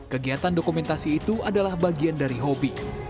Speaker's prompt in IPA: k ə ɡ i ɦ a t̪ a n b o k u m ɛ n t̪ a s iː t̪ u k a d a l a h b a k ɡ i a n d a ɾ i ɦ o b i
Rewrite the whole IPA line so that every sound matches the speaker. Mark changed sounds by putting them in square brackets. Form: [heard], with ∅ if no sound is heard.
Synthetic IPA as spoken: k ə ɡ i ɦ a t̪ a n [d] o k u m ɛ n t̪ a s iː t̪ u [∅] a d a l a h b a [∅] ɡ i a n d a ɾ i ɦ o b i

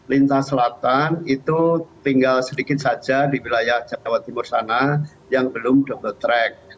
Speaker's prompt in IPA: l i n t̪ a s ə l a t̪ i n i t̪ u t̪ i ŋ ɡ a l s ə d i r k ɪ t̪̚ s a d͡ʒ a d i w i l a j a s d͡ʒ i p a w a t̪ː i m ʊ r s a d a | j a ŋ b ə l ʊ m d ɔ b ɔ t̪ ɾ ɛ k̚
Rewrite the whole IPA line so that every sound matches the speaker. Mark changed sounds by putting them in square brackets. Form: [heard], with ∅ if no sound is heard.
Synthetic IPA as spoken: l i n t̪ a s ə l a t̪ [a] n i t̪ u t̪ i ŋ ɡ a l s ə d i [∅] k ɪ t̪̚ s a d͡ʒ a d i w i l a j a [h] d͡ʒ [a] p a w a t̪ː i m ʊ r s a [n] a | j a ŋ b ə l ʊ m d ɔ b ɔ t̪ ɾ ɛ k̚

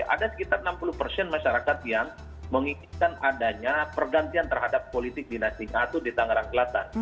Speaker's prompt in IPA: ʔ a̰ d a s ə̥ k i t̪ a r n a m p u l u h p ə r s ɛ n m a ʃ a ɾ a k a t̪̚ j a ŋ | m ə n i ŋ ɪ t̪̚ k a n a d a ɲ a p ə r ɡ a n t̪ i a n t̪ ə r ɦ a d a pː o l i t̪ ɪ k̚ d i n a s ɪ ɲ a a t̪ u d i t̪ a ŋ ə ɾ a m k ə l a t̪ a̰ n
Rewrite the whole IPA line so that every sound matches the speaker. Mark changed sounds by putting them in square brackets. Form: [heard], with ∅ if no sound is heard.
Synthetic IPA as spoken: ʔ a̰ d a s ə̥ k i t̪ a r n a m p u l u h p ə r s ɛ n m a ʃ a ɾ a k a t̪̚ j a ŋ | m ə [ŋ] i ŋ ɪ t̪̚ k a n a d a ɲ a p ə r ɡ a n t̪ i a n t̪ ə r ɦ a d a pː o l i t̪ ɪ k̚ d i n a s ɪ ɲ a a t̪ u d i t̪ a ŋ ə ɾ a [ŋ] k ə l a t̪ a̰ n

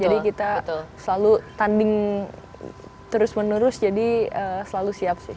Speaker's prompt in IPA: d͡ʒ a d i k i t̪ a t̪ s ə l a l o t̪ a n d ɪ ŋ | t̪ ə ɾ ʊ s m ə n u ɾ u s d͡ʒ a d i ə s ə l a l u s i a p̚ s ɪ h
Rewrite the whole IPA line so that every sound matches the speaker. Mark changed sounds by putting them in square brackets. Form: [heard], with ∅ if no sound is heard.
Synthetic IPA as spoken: d͡ʒ a d i k i t̪ a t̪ s ə l a l [u] t̪ a n d ɪ ŋ | t̪ ə ɾ ʊ s m ə n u ɾ [ʊ] s d͡ʒ a d i ə s ə l a l u s i a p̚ s ɪ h

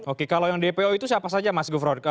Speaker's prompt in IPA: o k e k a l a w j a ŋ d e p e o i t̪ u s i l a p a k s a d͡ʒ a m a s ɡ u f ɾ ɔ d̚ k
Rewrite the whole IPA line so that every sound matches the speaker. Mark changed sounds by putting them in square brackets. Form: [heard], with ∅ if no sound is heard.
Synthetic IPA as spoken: o k e k a l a w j a ŋ d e p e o i t̪ u s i [∅] a p a [∅] s a d͡ʒ a m a s ɡ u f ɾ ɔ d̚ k

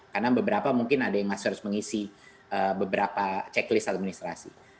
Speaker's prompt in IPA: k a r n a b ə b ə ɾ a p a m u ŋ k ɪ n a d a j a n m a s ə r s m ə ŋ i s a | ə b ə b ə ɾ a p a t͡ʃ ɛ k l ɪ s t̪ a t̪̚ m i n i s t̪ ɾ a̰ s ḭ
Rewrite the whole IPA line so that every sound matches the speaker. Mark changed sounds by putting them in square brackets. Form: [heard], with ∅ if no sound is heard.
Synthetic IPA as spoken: k a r n a b ə b ə ɾ a p a m u ŋ k ɪ n a d a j a [ŋ] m a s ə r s m ə ŋ i s [i] | ə b ə b ə ɾ a p a t͡ʃ ɛ k l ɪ s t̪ a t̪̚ m i n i s t̪ ɾ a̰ s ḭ

